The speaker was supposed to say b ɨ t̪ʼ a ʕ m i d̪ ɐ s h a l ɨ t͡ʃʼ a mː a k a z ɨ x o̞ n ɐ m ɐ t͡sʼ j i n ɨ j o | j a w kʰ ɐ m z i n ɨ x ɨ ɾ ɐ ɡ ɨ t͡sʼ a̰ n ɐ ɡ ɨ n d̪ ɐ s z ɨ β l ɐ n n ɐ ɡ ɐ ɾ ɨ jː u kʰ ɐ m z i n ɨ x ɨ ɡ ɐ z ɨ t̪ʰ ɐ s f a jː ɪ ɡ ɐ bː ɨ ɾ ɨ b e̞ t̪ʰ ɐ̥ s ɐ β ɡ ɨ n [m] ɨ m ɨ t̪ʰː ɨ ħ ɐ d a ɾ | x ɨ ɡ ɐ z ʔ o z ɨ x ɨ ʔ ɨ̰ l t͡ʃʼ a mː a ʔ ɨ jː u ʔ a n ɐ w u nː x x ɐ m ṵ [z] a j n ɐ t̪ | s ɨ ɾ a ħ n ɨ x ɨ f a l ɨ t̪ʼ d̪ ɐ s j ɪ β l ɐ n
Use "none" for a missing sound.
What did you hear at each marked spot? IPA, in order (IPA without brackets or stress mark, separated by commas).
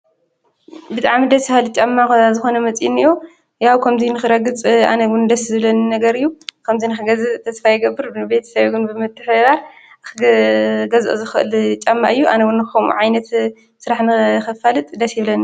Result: b, ʕ